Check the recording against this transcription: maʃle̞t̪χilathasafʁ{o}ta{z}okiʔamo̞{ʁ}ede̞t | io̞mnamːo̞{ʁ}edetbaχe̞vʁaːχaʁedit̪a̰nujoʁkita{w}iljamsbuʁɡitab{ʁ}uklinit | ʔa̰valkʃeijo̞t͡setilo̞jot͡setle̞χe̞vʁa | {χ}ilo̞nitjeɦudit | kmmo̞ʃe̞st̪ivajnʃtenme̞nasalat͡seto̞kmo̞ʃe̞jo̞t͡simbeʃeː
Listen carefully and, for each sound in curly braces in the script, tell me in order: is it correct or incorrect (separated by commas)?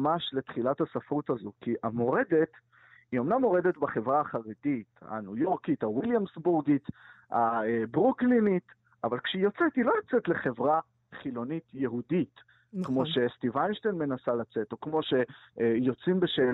incorrect, correct, correct, correct, correct, correct, correct